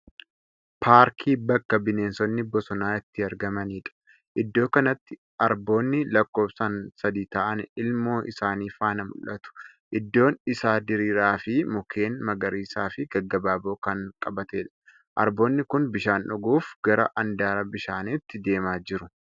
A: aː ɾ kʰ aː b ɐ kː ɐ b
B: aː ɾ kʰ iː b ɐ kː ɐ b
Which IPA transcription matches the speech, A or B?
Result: B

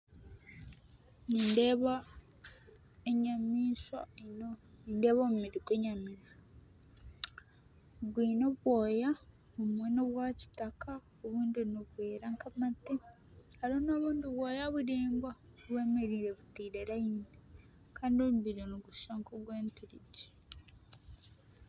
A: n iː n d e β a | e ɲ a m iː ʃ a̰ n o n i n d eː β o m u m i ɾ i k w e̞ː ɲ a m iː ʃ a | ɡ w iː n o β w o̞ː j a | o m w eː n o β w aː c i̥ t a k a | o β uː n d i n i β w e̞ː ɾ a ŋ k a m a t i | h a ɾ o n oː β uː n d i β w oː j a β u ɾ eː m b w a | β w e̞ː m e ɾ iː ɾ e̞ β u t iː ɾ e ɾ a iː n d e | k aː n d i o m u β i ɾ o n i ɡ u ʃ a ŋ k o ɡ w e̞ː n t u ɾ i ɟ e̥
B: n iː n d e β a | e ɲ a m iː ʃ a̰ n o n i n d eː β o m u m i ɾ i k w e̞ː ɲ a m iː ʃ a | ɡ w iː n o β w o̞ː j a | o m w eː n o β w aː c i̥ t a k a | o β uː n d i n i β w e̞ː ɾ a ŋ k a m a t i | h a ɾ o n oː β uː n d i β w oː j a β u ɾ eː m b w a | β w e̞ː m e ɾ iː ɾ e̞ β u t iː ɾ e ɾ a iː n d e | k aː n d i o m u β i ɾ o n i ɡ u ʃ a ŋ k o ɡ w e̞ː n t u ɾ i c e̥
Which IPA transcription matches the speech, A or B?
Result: A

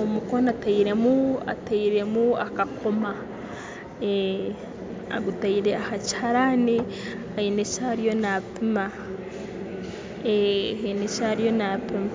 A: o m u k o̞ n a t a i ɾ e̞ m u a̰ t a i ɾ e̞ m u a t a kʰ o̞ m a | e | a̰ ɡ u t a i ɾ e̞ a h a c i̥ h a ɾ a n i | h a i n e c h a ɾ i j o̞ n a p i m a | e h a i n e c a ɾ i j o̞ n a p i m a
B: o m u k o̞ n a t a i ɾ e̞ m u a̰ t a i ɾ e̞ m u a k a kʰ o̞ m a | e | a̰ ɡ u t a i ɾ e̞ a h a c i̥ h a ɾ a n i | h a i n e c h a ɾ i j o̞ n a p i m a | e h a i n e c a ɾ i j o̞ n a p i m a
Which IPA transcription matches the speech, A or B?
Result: B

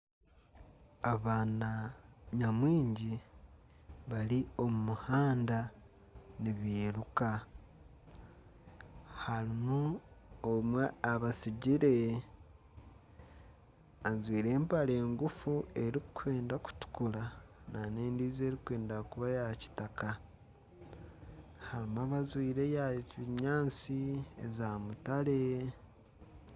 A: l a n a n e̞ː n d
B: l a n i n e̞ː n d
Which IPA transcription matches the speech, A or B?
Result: A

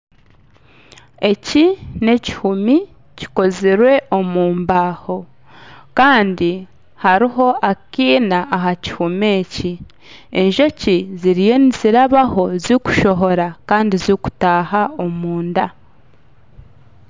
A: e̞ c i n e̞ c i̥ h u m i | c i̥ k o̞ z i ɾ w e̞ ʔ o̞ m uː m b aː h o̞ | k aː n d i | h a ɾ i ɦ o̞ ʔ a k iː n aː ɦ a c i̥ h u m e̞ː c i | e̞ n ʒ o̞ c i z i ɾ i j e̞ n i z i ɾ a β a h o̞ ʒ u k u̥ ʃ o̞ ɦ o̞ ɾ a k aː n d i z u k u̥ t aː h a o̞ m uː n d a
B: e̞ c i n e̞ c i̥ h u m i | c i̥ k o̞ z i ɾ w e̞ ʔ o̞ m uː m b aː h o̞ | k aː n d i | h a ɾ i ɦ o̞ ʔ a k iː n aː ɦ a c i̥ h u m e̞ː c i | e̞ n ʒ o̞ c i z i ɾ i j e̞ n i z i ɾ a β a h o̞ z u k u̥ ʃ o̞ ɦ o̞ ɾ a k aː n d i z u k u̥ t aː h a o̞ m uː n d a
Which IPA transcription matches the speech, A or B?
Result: B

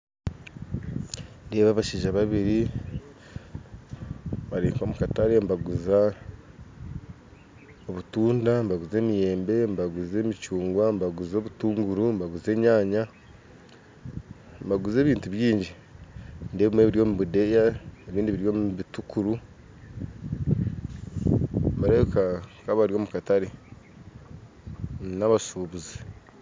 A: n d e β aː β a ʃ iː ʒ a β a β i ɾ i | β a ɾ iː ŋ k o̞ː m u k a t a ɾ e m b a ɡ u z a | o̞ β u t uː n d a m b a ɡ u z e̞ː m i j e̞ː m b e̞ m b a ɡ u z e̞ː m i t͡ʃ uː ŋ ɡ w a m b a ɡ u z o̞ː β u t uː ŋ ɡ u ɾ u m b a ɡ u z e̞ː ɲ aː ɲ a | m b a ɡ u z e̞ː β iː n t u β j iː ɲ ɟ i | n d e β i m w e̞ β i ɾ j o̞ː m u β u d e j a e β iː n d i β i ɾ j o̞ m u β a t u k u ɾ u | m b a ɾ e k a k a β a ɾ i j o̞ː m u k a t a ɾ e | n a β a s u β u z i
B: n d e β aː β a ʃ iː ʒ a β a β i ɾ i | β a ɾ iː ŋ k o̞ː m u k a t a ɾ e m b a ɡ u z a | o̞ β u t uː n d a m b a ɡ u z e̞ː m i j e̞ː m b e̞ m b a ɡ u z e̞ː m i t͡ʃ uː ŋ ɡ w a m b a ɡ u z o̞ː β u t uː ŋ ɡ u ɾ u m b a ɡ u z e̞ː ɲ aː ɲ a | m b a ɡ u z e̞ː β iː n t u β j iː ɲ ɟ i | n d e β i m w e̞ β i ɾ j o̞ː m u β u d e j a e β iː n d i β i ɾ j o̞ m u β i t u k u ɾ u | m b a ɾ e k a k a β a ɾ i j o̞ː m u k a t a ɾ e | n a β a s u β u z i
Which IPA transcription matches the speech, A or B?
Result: B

